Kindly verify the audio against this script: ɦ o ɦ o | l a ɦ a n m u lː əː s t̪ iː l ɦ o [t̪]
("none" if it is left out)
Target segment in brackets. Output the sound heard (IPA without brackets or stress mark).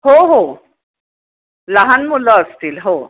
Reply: none